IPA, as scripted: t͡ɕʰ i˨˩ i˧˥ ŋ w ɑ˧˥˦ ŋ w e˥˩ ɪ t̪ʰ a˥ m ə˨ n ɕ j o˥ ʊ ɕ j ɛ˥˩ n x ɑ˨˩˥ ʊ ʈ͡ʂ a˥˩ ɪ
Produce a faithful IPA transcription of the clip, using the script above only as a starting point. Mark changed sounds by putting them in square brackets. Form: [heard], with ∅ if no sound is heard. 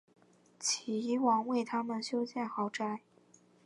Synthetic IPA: t͡ɕʰ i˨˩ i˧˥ [∅] w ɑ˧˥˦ ŋ w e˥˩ ɪ t̪ʰ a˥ m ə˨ n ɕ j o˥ ʊ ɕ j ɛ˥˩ n x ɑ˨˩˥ ʊ ʈ͡ʂ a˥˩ ɪ